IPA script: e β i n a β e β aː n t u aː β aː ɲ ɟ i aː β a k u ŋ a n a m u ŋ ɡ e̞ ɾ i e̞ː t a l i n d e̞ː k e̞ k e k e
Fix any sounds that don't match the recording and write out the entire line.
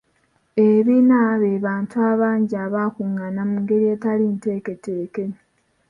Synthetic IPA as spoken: e β i n a β e β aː n t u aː β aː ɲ ɟ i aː β a k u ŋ a n a m u ŋ ɡ e̞ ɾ i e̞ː t a l i n t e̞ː k e̞ t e k e